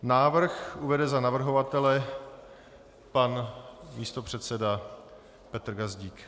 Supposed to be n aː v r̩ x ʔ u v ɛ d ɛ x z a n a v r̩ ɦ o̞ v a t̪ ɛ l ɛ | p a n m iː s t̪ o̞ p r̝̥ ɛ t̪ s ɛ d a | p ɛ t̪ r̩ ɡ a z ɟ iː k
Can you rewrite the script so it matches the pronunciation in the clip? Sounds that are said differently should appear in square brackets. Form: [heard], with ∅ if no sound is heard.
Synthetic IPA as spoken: n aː v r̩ x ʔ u v ɛ d ɛ [∅] z a n a v r̩ ɦ o̞ v a t̪ ɛ l ɛ | p a n m iː s t̪ o̞ p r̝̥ ɛ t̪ s ɛ d a | p ɛ t̪ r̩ ɡ a z ɟ iː k